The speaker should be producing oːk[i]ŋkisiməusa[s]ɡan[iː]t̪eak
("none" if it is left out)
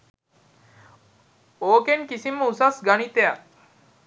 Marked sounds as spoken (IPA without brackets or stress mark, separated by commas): e, s, i